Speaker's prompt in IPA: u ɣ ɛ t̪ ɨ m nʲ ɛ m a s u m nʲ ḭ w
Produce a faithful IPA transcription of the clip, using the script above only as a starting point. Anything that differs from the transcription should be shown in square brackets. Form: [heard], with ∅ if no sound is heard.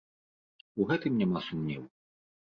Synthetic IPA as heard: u ɣ ɛ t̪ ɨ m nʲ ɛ m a s u m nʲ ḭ w